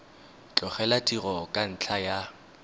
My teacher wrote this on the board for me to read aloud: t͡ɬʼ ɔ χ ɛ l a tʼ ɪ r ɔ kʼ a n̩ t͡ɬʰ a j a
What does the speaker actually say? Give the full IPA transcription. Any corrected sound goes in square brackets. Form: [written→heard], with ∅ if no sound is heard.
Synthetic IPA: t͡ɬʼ ɔ χ ɛ l a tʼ [ɪ→i] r ɔ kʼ a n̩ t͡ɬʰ a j a